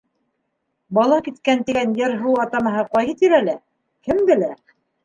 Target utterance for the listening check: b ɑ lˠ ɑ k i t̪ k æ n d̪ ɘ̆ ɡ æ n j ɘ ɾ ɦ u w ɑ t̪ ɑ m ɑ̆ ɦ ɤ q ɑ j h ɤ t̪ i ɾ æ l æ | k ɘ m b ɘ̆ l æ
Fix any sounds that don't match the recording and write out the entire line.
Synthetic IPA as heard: b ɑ lˠ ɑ k i t̪ k æ n t̪ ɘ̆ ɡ æ n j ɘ ɾ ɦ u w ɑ t̪ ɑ m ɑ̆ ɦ ɤ q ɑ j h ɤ t̪ i ɾ æ l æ | k ɘ m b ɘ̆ l æ